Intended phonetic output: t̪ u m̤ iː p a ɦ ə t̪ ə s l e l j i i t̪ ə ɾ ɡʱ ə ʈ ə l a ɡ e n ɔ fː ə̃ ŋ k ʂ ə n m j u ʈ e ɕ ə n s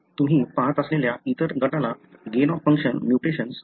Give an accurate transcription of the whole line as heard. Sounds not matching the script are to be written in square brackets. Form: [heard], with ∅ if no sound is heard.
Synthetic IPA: t̪ u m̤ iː p a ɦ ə t̪ ə s l e l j [a] i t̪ ə ɾ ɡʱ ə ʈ [a] l a ɡ e n ɔ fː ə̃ ŋ k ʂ ə n m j u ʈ e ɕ ə n s